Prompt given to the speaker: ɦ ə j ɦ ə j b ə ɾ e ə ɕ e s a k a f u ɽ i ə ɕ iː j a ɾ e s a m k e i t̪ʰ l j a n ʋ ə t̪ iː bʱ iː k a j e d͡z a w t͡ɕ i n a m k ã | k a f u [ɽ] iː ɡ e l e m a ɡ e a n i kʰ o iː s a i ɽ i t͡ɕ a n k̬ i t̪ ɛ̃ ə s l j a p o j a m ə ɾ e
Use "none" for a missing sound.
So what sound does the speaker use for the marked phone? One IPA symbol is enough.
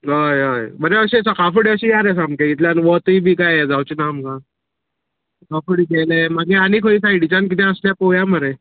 ɽ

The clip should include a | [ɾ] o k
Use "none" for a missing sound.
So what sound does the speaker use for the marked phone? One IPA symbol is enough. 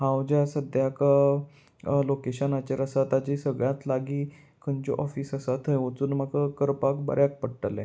l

